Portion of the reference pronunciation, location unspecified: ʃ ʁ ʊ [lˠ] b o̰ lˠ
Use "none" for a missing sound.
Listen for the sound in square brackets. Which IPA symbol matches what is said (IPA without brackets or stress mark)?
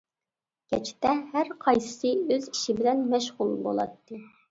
lˠ